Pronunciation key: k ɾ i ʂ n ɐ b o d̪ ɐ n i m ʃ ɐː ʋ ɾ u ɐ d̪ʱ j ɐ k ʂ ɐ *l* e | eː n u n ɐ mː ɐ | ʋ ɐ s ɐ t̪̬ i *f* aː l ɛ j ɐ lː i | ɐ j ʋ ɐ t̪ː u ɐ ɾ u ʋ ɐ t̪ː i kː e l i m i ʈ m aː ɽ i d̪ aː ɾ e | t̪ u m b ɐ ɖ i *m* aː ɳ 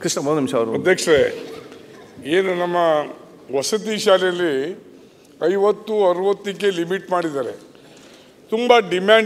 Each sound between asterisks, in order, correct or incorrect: incorrect: ɾ, incorrect: ʃ, correct

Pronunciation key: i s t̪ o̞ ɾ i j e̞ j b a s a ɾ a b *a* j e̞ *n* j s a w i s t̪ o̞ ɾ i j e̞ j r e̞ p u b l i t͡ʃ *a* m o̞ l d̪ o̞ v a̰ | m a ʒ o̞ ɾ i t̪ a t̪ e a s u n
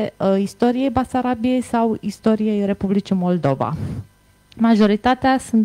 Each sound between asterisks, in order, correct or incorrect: incorrect: i, incorrect: none, incorrect: i

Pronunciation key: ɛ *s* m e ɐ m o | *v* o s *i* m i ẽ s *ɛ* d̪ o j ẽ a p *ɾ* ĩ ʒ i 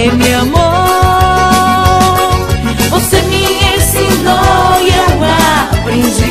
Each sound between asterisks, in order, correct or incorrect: incorrect: none, correct, incorrect: e, incorrect: i, correct

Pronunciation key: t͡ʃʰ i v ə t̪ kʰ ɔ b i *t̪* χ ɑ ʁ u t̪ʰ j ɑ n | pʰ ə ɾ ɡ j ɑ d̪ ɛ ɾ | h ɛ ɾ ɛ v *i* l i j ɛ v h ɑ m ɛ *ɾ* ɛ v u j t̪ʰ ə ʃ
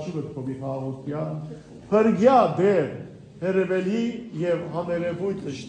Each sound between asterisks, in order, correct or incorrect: incorrect: none, incorrect: ɛ, correct

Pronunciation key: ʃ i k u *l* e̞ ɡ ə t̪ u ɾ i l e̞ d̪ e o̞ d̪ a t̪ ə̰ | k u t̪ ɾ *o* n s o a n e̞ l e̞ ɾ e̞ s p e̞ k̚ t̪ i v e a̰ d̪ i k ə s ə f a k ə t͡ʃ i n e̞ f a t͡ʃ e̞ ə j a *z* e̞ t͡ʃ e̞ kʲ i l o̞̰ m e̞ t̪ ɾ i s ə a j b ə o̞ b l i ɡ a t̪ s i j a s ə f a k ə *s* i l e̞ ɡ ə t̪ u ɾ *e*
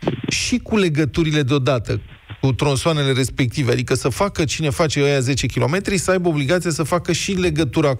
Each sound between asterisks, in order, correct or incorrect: correct, correct, correct, incorrect: ʃ, incorrect: a

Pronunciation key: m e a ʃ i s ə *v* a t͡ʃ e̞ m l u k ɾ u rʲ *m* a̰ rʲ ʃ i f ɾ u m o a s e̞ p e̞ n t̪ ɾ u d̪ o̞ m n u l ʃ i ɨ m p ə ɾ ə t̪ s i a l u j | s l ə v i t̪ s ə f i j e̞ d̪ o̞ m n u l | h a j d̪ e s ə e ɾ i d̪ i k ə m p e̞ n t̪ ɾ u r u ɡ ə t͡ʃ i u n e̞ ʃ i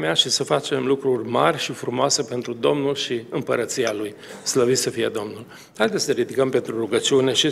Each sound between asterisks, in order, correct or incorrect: incorrect: f, correct

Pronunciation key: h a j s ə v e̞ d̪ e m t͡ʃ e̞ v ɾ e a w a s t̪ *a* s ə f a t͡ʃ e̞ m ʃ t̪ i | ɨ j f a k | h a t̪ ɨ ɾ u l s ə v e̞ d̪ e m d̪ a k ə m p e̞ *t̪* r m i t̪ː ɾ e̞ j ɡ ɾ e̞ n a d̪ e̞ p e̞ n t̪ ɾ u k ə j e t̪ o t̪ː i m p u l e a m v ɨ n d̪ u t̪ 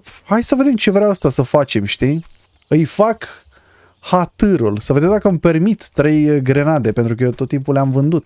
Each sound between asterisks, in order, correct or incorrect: correct, incorrect: none

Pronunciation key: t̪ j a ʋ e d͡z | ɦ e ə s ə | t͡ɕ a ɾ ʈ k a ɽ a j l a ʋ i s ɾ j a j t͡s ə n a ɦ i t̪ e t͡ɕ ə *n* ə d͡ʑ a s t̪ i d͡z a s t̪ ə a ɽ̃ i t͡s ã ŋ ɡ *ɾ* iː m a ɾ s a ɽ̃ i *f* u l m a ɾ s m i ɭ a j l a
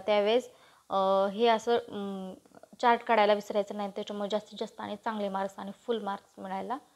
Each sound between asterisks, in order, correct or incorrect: incorrect: m, incorrect: l, correct

